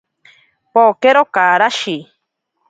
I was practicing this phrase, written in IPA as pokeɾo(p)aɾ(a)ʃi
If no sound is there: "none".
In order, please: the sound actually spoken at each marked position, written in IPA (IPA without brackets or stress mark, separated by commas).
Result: k, a